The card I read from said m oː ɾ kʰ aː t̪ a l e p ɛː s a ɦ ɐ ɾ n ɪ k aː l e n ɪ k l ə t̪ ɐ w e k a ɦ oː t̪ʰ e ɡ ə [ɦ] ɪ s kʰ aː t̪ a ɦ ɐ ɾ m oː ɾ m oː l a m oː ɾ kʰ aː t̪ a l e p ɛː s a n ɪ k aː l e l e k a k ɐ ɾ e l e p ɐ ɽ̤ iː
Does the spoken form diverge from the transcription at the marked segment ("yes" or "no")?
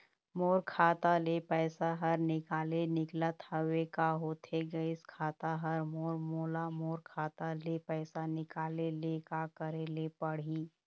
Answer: yes